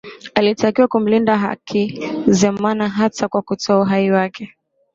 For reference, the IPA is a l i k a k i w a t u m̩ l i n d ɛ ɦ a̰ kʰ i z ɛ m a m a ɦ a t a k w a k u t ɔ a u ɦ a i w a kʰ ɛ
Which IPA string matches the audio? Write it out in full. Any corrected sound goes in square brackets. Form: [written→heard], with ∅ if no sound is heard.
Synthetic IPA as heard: a l i [k→t] a k i w a [t→k] u m̩ l i n d [ɛ→a] ɦ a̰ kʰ i z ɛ m a [m→n] a ɦ a t a k w a k u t ɔ a u ɦ a i w a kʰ ɛ